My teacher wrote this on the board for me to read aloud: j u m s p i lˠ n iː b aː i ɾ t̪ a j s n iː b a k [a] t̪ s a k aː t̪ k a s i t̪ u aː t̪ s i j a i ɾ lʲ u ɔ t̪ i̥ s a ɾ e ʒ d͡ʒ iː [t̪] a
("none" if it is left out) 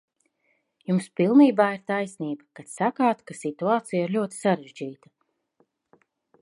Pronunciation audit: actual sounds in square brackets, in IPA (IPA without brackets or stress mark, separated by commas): a, t̪